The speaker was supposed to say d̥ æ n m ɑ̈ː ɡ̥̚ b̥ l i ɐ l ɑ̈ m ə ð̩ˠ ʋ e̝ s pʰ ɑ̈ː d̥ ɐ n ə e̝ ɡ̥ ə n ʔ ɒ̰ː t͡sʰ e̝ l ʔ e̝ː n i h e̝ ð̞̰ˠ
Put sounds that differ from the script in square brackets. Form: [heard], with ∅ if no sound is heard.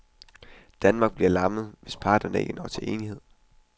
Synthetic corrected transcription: d̥ æ n m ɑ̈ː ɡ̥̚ b̥ l i ɐ l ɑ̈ m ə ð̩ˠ ʋ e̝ s pʰ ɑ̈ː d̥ ɐ n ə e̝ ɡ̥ ə n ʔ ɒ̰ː t͡sʰ e̝ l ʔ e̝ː n i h e̝ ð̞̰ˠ